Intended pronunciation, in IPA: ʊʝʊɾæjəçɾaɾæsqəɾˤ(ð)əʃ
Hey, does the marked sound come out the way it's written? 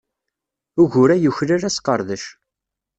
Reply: yes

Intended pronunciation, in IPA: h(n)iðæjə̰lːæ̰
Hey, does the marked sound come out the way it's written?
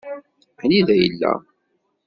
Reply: yes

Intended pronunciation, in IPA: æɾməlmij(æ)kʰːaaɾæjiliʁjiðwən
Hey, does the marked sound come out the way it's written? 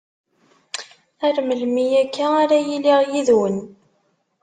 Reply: yes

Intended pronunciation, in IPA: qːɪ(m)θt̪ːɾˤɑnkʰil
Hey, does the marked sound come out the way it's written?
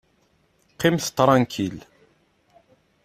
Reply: yes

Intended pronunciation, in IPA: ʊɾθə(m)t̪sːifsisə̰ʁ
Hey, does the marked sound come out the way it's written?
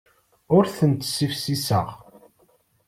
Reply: no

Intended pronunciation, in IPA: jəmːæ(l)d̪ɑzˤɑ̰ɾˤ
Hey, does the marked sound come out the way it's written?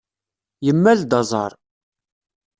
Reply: yes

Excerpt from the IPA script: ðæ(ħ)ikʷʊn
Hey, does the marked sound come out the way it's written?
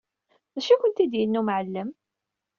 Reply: no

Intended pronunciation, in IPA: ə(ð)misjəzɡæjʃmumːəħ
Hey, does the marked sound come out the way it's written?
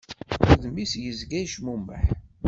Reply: yes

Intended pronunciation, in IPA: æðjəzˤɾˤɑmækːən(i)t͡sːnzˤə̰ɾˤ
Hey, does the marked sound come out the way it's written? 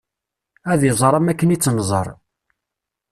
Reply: yes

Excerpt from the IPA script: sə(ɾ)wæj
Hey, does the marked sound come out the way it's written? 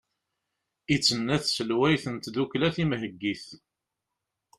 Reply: no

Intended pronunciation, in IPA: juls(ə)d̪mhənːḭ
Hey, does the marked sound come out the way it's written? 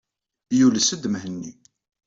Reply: yes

